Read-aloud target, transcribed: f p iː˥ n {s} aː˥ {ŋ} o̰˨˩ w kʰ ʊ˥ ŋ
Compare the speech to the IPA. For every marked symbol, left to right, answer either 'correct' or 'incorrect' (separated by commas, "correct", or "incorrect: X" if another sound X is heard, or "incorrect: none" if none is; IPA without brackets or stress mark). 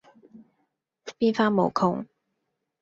incorrect: f, incorrect: m